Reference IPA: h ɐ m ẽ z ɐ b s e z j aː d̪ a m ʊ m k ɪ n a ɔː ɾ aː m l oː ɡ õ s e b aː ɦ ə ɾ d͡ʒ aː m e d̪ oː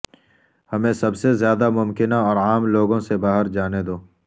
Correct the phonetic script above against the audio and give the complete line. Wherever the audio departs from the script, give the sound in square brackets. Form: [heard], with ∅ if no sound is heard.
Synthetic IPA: h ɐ m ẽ [s] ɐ b s e z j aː d̪ a m ʊ m k ɪ n a ɔː ɾ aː m l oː ɡ õ s e b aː ɦ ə ɾ d͡ʒ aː [n] e d̪ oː